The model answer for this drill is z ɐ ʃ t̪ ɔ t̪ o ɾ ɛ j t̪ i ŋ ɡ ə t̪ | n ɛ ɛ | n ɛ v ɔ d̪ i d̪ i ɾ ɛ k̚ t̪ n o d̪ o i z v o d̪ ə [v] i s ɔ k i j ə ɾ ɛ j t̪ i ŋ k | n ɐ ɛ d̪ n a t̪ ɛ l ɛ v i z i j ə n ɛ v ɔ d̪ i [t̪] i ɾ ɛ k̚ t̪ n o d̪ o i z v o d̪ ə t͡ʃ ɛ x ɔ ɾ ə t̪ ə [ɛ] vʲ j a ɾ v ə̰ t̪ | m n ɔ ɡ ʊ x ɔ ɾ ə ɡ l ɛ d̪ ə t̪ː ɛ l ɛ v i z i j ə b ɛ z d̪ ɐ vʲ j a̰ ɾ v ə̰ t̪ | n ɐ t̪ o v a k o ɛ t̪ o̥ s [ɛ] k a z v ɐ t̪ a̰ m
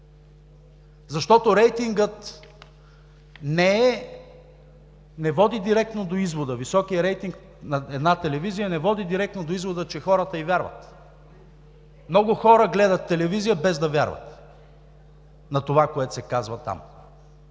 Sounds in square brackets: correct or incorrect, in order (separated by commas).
correct, incorrect, incorrect, correct